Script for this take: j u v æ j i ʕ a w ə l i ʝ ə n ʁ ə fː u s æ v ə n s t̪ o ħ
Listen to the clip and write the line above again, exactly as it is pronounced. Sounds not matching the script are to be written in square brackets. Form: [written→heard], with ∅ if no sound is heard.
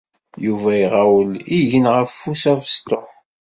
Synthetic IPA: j u v æ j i [ʕ→ʁ] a w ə l i ʝ ə n ʁ ə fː u s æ v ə [n→∅] s t̪ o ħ